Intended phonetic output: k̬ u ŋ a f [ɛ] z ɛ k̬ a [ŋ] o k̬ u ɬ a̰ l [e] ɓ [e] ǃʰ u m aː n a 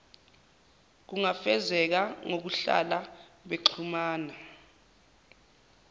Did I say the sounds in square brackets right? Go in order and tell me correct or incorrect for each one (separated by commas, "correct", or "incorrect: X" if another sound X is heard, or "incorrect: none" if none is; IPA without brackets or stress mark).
correct, correct, incorrect: a, correct